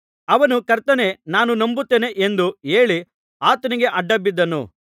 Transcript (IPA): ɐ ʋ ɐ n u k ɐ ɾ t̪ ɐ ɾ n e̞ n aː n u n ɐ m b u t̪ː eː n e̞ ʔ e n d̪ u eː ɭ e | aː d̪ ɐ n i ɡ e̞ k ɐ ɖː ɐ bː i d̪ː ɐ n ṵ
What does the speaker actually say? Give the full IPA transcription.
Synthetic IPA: ɐ ʋ ɐ n u k ɐ ɾ t̪ ɐ n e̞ n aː n u n ɐ m b u t̪ː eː n e̞ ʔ e n d̪ u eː ɭ i | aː t̪ ɐ n i ɡ e̞ ʔ ɐ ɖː ɐ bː i d̪ː ɐ n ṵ